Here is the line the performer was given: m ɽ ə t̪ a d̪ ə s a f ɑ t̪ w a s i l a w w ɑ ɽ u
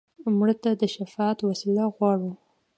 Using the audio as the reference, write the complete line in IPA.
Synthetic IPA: m ɽ ə t̪ a d̪ ə ʃ a f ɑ t̪ w a s i l a ɣ w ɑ ɽ u